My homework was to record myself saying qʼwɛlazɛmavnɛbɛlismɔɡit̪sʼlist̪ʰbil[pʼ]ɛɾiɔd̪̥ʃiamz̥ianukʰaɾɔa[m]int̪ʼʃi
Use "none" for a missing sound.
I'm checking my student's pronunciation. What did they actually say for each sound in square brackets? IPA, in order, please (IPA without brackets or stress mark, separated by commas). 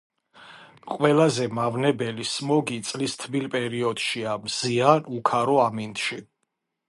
pʼ, m